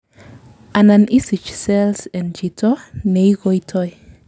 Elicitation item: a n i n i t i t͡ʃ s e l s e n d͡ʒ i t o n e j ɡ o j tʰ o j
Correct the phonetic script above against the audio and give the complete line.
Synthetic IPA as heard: a n a n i s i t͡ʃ s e l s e n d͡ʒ i t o n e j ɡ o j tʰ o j

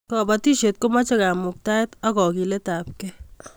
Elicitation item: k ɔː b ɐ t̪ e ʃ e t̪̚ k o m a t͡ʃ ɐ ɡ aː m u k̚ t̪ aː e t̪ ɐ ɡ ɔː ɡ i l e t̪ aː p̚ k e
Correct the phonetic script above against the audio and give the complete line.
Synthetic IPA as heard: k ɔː b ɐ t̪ i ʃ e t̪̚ k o m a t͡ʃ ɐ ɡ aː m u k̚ t̪ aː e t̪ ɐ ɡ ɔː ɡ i l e t̪ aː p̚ k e

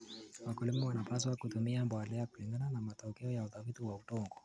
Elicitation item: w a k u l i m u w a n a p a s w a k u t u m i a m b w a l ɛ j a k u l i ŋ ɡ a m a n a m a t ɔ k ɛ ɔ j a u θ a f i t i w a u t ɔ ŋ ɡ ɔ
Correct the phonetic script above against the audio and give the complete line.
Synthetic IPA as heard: w a k u l i m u w a n a p a s w a k u t u m i a m b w a l ɛ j a k u l i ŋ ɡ a n a n a m a t ɔ k ɛ ɔ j a u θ a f i t i w a u t ɔ ŋ ɡ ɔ

